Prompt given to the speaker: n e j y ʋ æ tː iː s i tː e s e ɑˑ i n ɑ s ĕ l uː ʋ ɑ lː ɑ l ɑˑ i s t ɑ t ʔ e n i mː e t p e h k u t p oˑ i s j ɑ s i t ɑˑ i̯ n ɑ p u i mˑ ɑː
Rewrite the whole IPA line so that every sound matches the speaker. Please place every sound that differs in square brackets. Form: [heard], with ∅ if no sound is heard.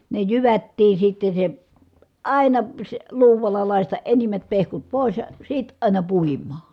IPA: n e j y ʋ æ tː iː s i tː e s e ɑˑ i n ɑ s ĕ l uː ʋ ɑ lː ɑ l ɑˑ i s t ɑ [ʔ] ʔ e n i mː [æ] t p e h k u t p oˑ i s j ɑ s i t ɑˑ i̯ n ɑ p u i mˑ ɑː